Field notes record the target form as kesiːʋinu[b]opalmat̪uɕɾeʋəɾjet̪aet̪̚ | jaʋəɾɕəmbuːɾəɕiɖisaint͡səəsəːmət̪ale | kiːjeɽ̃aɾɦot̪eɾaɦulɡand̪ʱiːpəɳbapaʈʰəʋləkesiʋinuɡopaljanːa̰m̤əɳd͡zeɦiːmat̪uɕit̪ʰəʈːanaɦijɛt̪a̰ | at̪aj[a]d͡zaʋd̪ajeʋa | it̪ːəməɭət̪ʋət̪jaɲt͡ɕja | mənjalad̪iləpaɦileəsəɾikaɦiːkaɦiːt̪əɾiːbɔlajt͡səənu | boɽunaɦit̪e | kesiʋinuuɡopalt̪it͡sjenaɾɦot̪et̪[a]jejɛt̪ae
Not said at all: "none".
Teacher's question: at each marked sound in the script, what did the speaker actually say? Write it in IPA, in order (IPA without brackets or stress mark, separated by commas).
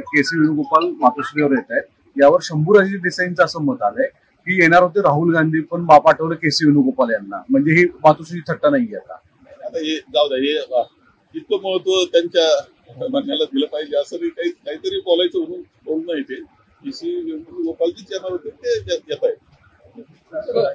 ɡ, e, e